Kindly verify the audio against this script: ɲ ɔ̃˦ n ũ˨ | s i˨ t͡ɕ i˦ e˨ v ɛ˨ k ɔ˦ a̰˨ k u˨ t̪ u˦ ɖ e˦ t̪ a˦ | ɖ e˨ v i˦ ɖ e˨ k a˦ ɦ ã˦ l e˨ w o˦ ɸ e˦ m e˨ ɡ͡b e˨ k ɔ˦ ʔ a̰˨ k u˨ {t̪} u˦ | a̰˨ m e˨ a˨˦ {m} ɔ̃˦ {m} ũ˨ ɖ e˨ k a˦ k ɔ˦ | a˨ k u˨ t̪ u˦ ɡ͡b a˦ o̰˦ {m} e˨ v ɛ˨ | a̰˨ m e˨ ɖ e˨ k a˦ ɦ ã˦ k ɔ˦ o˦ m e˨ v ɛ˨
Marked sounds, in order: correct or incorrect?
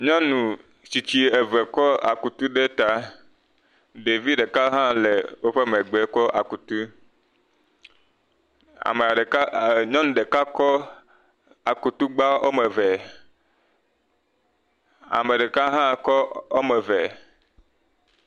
correct, incorrect: ɲ, incorrect: n, correct

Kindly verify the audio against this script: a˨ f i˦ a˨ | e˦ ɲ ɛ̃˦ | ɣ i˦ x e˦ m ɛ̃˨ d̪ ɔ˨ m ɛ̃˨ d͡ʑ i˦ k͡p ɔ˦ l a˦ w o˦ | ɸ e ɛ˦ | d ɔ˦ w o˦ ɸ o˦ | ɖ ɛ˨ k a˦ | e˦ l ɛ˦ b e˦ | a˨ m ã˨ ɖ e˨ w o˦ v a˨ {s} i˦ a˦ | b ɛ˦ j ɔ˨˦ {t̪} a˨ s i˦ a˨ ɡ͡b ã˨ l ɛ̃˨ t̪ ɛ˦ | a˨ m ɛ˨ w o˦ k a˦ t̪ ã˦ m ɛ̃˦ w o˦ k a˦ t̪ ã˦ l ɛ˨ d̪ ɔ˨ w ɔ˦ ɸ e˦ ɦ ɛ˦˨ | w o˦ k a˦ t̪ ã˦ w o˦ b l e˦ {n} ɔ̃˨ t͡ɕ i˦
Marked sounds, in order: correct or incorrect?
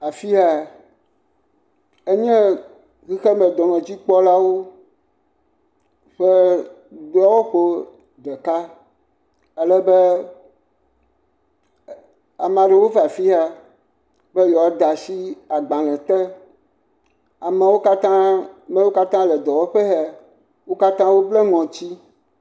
incorrect: f, incorrect: d̪, incorrect: ŋ

